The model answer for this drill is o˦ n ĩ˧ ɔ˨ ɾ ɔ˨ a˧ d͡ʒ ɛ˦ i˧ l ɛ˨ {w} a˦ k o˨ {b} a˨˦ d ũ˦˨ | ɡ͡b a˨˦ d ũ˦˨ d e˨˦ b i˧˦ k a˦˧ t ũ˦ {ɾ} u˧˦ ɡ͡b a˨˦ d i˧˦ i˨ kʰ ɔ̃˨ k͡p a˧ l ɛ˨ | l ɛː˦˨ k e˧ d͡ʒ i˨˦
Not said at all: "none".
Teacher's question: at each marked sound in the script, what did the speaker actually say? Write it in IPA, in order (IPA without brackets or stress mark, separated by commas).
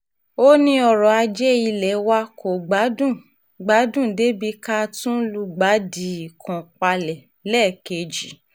w, ɡ͡b, l